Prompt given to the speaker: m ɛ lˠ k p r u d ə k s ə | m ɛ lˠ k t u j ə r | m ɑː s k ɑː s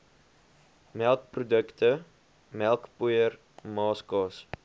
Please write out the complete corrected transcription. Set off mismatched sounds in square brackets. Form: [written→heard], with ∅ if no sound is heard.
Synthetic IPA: m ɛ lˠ k p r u d ə k [s→t] ə | m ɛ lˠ k [t→p] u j ə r | m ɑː s k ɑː s